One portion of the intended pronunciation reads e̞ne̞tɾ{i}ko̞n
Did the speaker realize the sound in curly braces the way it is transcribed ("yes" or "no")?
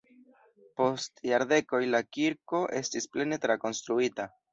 no